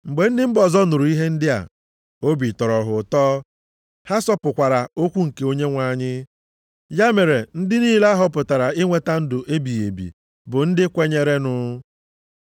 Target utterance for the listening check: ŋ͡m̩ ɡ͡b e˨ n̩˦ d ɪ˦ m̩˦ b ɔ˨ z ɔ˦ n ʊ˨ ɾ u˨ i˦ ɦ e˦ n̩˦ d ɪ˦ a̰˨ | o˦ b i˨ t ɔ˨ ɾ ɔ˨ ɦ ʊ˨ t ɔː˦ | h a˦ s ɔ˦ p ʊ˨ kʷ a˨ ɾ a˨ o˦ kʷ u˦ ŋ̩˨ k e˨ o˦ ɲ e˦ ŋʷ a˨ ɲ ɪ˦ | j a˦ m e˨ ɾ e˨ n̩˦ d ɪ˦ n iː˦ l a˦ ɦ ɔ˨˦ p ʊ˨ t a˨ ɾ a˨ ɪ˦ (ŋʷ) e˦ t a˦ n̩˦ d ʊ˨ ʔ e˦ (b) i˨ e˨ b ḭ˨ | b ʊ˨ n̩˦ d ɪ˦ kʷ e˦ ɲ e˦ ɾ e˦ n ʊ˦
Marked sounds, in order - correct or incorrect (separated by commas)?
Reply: correct, correct